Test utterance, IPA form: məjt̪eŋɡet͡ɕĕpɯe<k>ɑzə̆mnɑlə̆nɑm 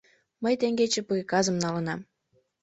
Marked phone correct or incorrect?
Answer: correct